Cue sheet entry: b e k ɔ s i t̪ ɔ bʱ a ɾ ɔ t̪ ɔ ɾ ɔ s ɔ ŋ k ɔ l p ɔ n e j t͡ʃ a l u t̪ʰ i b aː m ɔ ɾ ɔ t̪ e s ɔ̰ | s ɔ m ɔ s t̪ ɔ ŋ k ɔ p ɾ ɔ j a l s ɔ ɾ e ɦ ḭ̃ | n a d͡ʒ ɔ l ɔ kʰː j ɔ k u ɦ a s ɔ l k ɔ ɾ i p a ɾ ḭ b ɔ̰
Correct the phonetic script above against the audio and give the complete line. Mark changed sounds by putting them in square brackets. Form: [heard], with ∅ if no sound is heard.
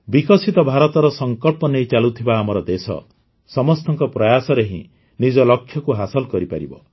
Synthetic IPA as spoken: b [i] k ɔ s i t̪ ɔ bʱ a ɾ ɔ t̪ ɔ ɾ ɔ s ɔ ŋ k ɔ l p ɔ n e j t͡ʃ a l u t̪ʰ i b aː m ɔ ɾ ɔ [d̪] e s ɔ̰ | s ɔ m ɔ s t̪ ɔ ŋ k ɔ p ɾ ɔ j a [∅] s ɔ ɾ e ɦ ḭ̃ | n [i] d͡ʒ ɔ l ɔ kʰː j ɔ k u ɦ a s ɔ l k ɔ ɾ i p a ɾ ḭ b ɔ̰